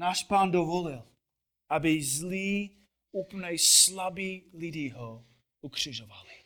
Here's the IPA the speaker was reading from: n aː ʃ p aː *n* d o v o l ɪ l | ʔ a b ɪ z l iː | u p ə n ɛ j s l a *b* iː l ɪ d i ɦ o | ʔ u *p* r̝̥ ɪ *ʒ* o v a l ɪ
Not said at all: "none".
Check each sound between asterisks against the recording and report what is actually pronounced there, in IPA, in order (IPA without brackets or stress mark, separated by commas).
n, b, k, ʒ